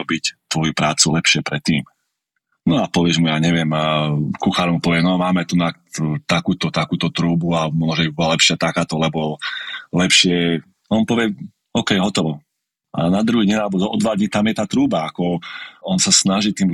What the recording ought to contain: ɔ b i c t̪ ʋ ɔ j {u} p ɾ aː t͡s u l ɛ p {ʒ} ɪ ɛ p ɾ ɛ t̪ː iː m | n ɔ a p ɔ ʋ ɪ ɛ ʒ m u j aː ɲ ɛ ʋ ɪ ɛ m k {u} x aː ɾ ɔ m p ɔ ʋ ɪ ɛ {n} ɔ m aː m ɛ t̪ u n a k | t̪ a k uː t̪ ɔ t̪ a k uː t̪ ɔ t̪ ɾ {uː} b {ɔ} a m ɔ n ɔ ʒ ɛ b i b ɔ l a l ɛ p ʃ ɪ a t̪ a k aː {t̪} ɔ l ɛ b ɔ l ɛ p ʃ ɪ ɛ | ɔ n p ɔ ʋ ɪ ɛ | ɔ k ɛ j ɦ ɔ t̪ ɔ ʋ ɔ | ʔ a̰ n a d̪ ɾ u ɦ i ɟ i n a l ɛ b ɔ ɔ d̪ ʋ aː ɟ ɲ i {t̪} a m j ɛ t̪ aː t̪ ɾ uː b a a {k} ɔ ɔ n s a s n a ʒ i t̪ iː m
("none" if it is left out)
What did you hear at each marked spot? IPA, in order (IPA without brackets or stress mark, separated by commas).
u, ʃ, u, n, uː, u, t̪, t̪, k